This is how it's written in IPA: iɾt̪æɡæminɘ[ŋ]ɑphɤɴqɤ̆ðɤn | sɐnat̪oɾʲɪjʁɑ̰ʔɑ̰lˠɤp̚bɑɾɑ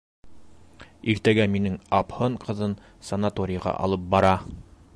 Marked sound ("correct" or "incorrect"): correct